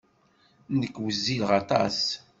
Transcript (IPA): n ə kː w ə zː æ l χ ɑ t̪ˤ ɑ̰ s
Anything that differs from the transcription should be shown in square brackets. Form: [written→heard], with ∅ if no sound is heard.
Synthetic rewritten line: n ə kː w ə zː [æ→i] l [χ→ʁ] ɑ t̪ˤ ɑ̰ s